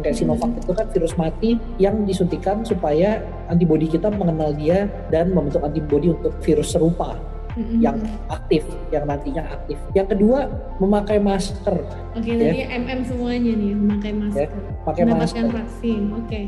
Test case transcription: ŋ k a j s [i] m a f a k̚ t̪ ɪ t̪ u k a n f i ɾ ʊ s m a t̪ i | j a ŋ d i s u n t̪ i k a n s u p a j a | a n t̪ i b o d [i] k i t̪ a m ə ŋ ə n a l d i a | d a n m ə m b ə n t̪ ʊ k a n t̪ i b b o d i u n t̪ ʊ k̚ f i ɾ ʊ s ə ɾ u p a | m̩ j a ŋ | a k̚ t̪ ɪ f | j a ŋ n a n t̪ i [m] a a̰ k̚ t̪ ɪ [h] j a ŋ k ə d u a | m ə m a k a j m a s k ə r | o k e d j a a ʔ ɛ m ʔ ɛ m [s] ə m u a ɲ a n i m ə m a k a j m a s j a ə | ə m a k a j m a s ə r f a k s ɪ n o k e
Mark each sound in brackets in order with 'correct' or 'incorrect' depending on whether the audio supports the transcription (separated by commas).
correct, correct, incorrect, incorrect, correct